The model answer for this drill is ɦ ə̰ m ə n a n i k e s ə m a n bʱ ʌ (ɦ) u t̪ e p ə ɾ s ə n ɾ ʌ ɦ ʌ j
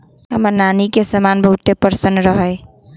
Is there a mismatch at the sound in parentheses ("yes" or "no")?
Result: no